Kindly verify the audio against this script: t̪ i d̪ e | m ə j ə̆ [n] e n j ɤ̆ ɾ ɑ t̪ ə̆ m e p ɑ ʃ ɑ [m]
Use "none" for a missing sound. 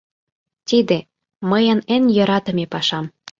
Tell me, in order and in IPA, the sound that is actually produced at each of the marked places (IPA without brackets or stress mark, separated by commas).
n, m